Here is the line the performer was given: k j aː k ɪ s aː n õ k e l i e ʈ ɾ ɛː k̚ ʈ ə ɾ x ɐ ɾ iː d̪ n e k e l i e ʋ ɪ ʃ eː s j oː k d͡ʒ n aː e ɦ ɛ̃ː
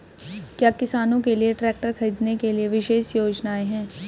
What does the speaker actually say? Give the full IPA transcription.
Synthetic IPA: k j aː k ɪ s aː n õ k e l i e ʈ ɾ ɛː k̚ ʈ ə ɾ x ɐ ɾ iː d̪ n e k e l i e ʋ ɪ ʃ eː ʃ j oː d͡ʒ n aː e ɦ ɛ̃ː